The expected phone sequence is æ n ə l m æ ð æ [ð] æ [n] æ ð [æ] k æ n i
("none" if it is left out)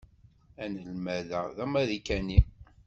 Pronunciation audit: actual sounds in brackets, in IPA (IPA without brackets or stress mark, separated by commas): ð, m, i